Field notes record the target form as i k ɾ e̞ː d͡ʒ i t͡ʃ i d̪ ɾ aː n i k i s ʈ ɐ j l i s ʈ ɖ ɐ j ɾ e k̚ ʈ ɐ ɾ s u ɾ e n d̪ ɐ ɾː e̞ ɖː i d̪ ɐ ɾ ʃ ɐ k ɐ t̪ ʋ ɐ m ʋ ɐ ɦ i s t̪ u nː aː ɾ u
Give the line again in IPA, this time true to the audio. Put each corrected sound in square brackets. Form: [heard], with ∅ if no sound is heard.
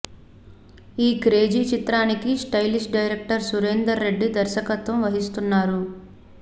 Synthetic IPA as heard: [iː] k ɾ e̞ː d͡ʒ i t͡ʃ i [t̪] ɾ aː n i k i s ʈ ɐ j l i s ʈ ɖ ɐ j ɾ e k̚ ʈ ɐ ɾ s u ɾ e n d̪ ɐ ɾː e̞ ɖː i d̪ ɐ ɾ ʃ ɐ k ɐ t̪ ʋ ɐ m ʋ ɐ ɦ i s t̪ u nː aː ɾ u